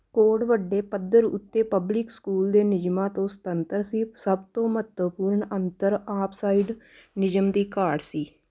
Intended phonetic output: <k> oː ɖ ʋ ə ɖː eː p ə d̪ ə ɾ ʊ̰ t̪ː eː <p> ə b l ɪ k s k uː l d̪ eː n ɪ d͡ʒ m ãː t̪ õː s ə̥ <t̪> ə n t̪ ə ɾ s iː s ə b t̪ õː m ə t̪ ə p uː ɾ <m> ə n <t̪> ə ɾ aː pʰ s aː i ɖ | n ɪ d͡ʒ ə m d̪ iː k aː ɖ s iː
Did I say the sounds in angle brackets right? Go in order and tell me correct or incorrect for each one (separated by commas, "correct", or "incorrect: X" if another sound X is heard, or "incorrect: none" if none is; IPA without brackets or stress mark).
correct, correct, correct, incorrect: ɳ, correct